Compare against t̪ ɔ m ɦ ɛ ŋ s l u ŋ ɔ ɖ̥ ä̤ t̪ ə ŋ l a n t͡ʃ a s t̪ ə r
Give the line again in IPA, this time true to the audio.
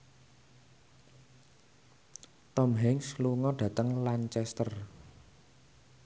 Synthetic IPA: t̪ ɔ m ɦ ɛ ŋ s l u ŋ ɔ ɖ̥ ä̤ t̪ ə ŋ l a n t͡ʃ ɛ s t̪ ə r